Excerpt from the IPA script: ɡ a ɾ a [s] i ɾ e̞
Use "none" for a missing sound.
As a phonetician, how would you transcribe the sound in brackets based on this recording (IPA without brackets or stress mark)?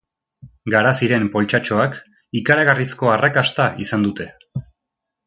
s